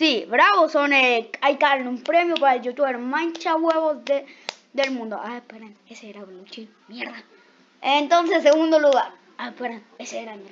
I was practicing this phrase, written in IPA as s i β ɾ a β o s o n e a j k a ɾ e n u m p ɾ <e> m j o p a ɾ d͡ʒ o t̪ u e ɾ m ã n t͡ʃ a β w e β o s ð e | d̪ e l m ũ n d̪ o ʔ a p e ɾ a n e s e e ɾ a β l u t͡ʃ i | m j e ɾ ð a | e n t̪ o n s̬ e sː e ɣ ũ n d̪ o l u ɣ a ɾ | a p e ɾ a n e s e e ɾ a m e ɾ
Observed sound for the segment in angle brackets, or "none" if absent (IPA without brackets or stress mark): e